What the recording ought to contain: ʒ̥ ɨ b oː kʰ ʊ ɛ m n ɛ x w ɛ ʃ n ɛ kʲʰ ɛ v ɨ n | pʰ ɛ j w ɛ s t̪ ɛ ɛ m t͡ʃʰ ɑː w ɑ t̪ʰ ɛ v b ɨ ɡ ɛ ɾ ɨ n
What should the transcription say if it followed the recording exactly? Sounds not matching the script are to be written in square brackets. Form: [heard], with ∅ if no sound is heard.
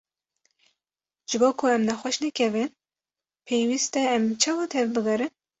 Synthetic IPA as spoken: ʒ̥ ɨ b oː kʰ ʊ ɛ m n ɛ x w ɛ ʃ n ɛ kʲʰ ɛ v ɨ n | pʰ [e] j w [i] s t̪ ɛ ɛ m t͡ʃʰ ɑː w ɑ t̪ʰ ɛ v b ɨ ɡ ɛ ɾ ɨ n